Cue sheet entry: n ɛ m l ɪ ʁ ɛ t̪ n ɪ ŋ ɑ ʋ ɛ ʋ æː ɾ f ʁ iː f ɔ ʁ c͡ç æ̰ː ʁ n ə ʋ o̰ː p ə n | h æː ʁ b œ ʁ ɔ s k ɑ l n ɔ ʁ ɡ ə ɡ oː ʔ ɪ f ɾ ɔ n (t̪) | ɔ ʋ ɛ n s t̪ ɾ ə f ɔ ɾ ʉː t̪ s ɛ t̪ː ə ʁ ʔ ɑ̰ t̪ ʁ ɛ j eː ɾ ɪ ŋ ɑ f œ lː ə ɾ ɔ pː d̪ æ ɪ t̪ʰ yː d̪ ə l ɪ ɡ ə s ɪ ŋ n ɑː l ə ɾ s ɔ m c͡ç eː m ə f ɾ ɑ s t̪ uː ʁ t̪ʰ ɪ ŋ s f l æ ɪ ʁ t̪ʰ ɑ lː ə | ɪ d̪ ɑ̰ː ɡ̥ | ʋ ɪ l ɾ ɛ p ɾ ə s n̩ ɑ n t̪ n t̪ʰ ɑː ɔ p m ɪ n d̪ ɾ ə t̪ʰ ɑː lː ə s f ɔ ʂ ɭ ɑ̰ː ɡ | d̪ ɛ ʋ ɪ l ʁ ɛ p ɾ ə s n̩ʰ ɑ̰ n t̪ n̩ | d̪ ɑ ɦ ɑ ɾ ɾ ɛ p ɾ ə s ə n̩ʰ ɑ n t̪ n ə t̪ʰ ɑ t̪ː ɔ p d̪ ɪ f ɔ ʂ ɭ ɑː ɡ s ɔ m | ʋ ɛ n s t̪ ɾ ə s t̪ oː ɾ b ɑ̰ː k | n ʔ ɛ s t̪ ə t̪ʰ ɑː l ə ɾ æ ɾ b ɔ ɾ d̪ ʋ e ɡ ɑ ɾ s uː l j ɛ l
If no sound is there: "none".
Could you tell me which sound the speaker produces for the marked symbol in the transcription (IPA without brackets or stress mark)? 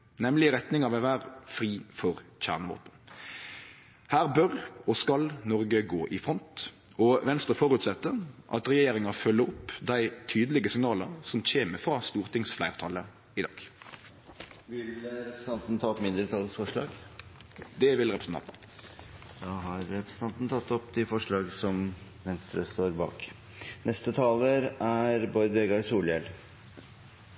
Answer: t̪